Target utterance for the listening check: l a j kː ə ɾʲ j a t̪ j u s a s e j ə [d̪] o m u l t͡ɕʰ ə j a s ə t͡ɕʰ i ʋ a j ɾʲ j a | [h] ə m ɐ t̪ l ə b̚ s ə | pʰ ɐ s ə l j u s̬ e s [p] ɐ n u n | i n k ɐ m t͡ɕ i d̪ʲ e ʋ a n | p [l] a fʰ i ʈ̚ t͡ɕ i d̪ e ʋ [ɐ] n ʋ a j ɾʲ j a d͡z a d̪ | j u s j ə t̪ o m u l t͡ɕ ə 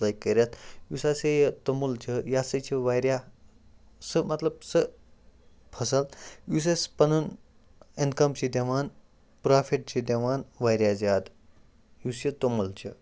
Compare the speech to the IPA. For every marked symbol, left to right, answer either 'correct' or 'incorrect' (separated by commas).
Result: incorrect, incorrect, correct, incorrect, incorrect